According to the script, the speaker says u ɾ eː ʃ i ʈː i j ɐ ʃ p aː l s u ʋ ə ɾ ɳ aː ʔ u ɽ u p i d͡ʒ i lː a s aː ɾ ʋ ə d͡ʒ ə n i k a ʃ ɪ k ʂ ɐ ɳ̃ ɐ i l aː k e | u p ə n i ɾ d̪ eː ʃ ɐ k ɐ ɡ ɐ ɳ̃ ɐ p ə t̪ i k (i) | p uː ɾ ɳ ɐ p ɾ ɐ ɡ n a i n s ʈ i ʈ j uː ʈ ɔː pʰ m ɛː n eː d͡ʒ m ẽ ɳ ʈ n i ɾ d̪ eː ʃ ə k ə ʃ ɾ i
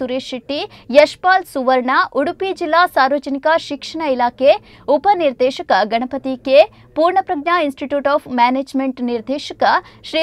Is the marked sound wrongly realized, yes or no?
yes